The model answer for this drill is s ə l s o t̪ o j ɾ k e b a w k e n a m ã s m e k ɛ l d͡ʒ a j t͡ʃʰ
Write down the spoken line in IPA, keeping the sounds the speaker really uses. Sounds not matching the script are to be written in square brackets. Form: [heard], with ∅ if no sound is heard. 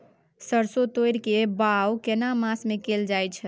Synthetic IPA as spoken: s ə [ɾ] s o t̪ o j ɾ k e b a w k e n a m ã s m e k [e] l d͡ʒ a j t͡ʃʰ